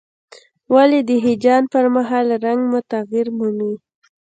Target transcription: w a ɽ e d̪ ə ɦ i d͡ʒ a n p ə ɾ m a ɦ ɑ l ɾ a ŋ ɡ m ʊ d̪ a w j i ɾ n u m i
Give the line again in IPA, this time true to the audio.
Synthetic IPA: w a l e d̪ ə ɦ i d͡ʒ ɑ n p ə ɾ m a ɦ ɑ l ɾ a ŋ ɡ m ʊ t̪ a ɣ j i ɾ m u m i